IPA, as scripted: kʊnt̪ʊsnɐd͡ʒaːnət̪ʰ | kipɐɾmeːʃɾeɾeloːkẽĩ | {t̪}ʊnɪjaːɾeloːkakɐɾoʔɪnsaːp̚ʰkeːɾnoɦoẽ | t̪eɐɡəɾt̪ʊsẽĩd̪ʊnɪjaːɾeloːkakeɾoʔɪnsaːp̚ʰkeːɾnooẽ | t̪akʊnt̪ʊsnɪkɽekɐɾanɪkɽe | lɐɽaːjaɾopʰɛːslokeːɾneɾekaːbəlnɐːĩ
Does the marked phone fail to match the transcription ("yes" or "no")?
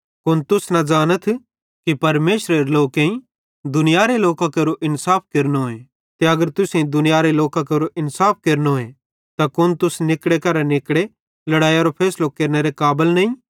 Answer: yes